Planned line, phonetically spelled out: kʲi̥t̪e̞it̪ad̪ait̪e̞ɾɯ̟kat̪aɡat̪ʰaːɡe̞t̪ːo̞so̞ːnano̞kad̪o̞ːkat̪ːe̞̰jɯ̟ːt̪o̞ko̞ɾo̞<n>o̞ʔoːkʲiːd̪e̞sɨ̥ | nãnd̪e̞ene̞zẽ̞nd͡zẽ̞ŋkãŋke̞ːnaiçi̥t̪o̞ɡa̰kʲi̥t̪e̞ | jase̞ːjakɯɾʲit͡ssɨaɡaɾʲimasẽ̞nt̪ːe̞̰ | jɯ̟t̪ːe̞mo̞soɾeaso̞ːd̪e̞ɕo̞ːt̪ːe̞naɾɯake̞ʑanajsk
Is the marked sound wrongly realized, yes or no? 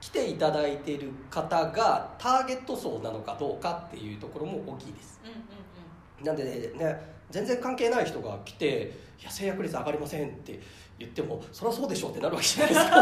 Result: yes